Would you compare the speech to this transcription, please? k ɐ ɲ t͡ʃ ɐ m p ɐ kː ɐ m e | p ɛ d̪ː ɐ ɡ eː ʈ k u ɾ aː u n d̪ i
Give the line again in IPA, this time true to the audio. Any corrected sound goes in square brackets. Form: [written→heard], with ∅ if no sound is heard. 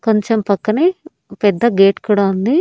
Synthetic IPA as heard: k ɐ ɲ t͡ʃ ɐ m p ɐ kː ɐ [m→n] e | p ɛ d̪ː ɐ ɡ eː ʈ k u [ɾ→ɽ] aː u n d̪ i